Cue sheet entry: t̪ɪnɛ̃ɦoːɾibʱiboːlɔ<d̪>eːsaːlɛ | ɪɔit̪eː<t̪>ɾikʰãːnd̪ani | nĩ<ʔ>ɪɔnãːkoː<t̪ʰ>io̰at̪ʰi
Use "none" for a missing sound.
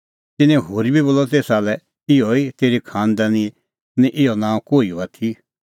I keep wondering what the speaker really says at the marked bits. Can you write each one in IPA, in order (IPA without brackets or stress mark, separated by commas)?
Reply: t̪, none, ʔ, none